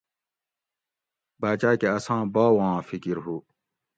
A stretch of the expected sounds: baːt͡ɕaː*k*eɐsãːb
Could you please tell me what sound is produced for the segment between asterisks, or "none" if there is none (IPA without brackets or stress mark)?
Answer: k